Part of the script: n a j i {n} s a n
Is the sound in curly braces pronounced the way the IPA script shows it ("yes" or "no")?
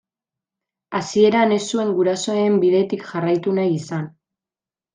no